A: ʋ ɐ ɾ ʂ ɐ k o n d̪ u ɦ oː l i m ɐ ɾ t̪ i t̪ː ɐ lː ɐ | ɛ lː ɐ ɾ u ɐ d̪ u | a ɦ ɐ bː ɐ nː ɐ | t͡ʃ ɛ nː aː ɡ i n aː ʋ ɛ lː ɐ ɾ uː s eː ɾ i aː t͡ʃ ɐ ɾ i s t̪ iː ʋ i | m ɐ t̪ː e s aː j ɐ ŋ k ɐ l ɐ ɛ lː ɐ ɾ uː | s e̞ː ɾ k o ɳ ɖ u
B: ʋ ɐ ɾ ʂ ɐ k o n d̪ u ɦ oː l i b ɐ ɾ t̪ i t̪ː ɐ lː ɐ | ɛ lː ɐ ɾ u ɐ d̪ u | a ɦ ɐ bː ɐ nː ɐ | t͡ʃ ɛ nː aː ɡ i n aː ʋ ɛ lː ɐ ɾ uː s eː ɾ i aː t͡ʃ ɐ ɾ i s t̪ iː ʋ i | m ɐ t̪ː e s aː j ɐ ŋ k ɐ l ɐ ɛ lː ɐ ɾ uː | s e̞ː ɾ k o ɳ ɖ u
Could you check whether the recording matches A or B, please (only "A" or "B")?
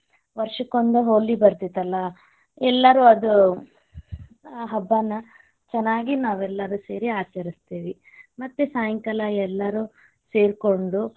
B